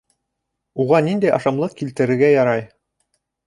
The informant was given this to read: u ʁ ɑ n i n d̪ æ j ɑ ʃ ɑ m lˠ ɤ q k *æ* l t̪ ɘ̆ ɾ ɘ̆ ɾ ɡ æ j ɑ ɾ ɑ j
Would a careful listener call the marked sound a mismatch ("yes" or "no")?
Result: yes